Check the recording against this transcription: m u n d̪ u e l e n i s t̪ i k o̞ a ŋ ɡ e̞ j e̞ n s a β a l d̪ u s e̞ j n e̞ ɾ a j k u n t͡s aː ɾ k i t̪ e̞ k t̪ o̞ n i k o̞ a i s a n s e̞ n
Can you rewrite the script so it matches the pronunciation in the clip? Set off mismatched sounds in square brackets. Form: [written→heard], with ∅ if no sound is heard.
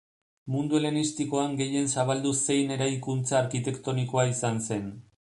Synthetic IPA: m u n d̪ u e l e n i s t̪ i k o̞ a ŋ ɡ e̞ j e̞ n s a β a l d̪ u s e̞ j n e̞ ɾ a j k u n t͡s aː ɾ k i t̪ e̞ k t̪ o̞ n i k o̞ a i s a n s e̞ n